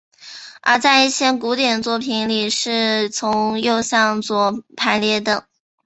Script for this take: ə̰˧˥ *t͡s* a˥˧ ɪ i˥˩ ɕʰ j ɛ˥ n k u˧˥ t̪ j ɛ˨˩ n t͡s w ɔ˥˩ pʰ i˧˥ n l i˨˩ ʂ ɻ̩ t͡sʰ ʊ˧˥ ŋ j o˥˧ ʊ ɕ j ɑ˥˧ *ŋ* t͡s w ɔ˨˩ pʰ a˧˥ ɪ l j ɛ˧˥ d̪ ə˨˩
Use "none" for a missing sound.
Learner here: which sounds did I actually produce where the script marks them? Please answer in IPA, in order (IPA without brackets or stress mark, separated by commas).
t͡s, ŋ